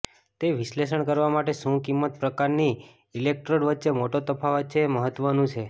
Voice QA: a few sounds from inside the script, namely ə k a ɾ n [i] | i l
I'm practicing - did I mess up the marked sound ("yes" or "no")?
no